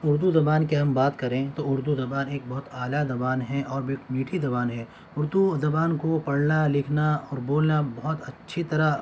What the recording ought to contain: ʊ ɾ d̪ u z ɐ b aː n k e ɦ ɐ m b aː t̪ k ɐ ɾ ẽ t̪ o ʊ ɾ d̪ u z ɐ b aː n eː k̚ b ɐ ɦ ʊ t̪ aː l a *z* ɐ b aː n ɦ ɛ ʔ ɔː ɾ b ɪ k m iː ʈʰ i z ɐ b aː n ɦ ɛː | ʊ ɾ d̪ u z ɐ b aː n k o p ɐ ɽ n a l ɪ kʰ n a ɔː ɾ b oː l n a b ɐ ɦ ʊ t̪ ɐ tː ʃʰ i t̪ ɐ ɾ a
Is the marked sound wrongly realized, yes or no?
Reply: no